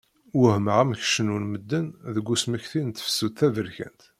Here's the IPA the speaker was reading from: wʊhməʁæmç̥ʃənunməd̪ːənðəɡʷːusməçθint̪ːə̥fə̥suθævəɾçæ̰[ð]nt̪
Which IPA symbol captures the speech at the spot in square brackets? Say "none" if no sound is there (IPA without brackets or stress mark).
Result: none